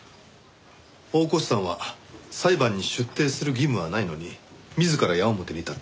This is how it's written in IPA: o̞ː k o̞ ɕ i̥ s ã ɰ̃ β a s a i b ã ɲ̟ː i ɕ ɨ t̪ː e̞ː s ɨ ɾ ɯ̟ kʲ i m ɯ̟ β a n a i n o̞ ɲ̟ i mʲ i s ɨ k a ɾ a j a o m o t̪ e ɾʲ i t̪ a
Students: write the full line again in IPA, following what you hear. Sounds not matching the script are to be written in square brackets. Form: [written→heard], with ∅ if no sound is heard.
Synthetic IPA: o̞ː k o̞ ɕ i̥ s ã ɰ̃ β a s a i b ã ɲ̟ː i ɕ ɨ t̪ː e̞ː s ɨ ɾ ɯ̟ [kʲ→ɡʲ] i m ɯ̟ β a n a i n o̞ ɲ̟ i mʲ i [s→z] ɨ k a ɾ a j a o m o t̪ e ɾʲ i t̪ a